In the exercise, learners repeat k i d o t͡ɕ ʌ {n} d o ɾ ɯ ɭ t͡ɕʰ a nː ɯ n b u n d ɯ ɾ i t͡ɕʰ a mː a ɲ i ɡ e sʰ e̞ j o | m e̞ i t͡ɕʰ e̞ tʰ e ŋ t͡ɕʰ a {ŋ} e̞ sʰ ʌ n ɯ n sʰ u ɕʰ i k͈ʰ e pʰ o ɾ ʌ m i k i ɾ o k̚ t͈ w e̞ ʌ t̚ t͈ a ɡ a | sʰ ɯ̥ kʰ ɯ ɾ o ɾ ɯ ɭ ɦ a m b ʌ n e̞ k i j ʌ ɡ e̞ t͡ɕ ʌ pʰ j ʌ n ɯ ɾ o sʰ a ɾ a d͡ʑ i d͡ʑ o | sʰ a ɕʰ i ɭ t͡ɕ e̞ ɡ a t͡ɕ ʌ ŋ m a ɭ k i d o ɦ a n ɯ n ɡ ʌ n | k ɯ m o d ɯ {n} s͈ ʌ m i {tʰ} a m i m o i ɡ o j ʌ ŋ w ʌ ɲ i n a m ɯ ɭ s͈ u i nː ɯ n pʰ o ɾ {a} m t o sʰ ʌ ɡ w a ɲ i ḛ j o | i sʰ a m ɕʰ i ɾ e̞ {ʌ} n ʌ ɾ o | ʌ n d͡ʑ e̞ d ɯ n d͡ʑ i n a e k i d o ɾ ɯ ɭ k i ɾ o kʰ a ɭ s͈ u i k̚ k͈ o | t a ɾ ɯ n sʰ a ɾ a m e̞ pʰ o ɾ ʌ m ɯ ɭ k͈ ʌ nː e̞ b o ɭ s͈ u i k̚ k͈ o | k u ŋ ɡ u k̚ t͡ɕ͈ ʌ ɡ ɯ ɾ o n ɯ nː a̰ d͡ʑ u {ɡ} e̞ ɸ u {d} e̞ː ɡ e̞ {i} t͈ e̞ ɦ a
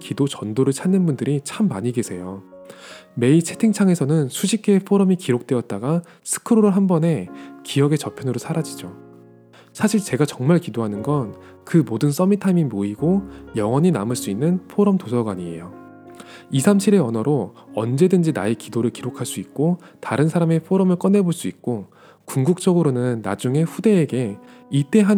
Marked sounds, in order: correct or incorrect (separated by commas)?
correct, correct, correct, correct, incorrect, correct, incorrect, correct, correct